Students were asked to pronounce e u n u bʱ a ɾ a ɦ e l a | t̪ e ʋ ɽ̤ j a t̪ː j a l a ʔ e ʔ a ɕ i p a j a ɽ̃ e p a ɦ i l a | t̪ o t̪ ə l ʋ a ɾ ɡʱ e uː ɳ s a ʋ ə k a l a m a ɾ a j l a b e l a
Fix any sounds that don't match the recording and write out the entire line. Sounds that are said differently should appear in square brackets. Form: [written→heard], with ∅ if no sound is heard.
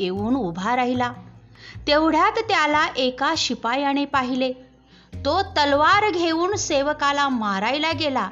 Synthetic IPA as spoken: e [u→uː] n u bʱ a ɾ a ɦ [e→i] l a | t̪ e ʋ ɽ̤ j a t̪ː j a l a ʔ e [ʔ→k] a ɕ i p a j a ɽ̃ e p a ɦ i l [a→e] | t̪ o t̪ ə l ʋ a ɾ ɡʱ e uː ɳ s [a→e] ʋ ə k a l a m a ɾ a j l a [b→ɡ] e l a